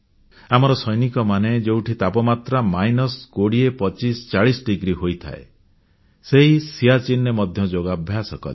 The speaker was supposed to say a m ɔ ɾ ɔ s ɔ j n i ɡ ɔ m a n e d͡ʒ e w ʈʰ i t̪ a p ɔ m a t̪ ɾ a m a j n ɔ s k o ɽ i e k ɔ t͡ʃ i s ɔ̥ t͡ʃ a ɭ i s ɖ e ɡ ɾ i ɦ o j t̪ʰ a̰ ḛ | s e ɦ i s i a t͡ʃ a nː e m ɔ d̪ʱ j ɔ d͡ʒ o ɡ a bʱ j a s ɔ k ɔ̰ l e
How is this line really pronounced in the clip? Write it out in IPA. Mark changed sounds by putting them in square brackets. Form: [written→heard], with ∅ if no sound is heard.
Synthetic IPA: a m ɔ ɾ ɔ s ɔ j n i [ɡ→k] ɔ m a n e d͡ʒ e w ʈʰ i t̪ a p ɔ m a t̪ ɾ a m a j n ɔ s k o ɽ i e [k→p] ɔ t͡ʃ i s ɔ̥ t͡ʃ a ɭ i s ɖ [e→i] ɡ ɾ i ɦ o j t̪ʰ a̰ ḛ | s e ɦ i s i a t͡ʃ [a→i] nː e m ɔ d̪ʱ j ɔ d͡ʒ o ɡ a bʱ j a s ɔ k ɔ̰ l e